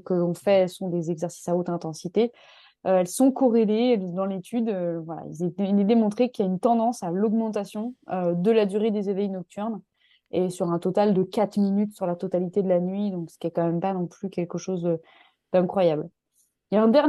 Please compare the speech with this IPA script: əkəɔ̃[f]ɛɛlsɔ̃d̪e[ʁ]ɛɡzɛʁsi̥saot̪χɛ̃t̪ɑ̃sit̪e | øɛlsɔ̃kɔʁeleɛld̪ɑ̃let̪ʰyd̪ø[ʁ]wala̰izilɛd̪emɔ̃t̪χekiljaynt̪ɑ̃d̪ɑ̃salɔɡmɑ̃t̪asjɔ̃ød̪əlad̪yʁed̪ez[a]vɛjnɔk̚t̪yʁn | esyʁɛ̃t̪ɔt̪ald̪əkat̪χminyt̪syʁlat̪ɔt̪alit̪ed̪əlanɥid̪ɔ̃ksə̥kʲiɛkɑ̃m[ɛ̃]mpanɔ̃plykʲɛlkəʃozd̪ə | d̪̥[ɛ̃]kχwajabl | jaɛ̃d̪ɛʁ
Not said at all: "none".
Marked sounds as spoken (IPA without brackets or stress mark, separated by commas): f, z, v, e, ɛ, ɛ̃